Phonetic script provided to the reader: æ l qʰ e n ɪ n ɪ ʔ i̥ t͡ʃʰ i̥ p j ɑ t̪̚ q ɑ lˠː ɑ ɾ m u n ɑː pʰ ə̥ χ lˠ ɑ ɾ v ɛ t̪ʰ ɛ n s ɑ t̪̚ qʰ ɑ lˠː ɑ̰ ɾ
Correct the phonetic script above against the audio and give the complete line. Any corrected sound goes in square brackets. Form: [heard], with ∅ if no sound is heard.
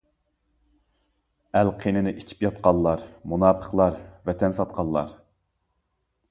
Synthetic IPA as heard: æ l qʰ e n ɪ n ɪ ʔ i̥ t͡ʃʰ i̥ p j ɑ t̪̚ q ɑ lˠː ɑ ɾ m u n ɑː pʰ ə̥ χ lˠ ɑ ɾ v ɛ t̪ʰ ɛ n s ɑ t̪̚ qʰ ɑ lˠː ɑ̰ ɾ